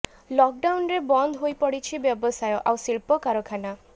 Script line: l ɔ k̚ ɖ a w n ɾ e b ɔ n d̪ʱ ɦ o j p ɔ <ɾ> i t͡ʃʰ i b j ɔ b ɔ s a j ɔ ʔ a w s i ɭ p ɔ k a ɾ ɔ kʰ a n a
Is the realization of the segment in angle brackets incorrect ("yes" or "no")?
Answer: yes